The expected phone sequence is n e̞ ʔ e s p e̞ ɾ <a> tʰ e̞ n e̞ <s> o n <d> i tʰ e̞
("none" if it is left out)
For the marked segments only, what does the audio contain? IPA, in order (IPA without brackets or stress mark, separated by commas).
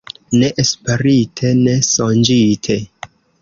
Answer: i, s, d͡ʒ